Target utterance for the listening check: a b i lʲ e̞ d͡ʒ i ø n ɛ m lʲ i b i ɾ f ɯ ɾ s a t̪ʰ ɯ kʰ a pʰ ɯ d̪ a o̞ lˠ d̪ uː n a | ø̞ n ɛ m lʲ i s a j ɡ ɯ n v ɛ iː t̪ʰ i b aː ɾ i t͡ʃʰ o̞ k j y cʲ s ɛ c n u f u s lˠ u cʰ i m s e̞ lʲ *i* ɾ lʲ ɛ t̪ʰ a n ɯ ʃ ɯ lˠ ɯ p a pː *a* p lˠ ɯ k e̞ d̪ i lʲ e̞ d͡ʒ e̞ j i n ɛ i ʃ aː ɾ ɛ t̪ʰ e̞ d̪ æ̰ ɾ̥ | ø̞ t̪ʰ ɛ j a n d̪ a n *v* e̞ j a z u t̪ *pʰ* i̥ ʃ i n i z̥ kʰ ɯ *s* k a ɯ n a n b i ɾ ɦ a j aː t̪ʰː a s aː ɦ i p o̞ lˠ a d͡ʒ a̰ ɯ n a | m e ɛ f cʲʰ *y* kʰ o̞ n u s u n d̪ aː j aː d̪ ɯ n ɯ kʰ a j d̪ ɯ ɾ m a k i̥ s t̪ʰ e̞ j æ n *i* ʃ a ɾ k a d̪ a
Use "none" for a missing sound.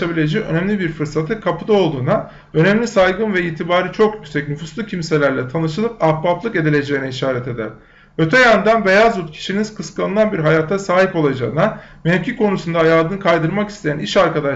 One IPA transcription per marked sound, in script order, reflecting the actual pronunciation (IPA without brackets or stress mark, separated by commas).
æ, a, b, cʰ, s, i, i